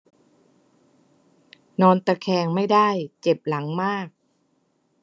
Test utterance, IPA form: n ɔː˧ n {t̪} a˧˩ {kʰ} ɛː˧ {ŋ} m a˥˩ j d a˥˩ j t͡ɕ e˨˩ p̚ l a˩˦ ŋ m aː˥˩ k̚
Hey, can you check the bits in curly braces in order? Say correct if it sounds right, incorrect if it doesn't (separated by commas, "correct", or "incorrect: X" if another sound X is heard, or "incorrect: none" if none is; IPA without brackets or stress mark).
correct, correct, correct